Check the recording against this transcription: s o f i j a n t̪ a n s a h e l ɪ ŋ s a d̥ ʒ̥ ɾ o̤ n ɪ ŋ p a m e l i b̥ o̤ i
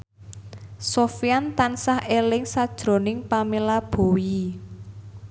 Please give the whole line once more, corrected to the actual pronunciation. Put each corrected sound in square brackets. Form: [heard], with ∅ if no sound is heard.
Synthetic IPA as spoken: s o f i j a n t̪ a n s a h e l ɪ ŋ s a d̥ ʒ̥ ɾ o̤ n ɪ ŋ p a m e l [a] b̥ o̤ i